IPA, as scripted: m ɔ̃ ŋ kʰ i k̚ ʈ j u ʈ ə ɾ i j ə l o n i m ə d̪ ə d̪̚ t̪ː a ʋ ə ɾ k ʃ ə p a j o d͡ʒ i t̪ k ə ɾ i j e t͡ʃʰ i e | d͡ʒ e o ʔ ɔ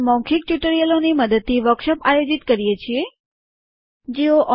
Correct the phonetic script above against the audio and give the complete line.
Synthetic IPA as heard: m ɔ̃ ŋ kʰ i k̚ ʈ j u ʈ ə ɾ i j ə l o n i m ə d̪ ə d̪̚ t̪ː i ʋ ə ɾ k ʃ ə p a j o d͡ʒ i t̪ k ə ɾ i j e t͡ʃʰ i e | d͡ʒ e o ʔ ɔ